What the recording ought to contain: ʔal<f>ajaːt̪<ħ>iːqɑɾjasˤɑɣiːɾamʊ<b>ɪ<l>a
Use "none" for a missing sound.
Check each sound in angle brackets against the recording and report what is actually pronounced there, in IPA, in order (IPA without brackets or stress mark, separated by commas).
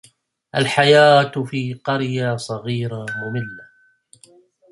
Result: ħ, f, m, lː